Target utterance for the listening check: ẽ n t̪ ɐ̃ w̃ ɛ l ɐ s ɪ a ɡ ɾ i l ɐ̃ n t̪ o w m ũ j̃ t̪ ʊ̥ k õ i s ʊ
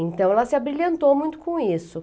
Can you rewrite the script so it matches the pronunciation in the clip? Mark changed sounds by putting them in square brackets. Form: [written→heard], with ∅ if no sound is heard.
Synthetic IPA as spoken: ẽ n t̪ ɐ̃ w̃ ɛ l ɐ s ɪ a [ɡ→b] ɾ i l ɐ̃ n t̪ o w m ũ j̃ t̪ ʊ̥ k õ i s ʊ